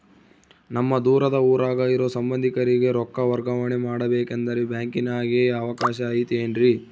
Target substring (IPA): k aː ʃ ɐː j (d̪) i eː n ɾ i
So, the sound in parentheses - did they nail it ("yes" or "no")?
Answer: no